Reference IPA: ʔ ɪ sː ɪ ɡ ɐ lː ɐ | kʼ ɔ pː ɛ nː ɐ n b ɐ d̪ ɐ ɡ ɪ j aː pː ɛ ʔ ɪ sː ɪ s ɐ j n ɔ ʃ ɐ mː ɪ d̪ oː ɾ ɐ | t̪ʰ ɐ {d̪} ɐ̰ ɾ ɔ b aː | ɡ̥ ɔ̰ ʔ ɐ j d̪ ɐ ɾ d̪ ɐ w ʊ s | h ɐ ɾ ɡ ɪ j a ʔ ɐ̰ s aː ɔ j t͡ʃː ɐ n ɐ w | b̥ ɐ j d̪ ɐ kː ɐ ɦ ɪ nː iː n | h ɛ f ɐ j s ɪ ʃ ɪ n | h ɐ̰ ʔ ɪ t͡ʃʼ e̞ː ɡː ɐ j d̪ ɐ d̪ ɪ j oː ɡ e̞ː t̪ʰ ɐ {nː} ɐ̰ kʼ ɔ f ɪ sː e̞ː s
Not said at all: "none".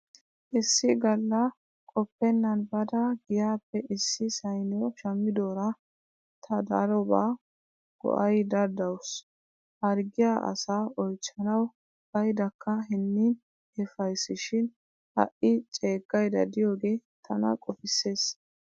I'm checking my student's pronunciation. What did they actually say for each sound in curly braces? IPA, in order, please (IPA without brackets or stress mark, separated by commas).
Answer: d̪, n